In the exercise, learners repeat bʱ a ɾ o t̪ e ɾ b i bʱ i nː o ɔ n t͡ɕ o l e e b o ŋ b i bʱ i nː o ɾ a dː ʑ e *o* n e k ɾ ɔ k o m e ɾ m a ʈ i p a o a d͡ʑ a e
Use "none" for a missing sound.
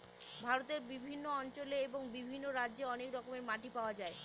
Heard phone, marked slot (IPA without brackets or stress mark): ɔ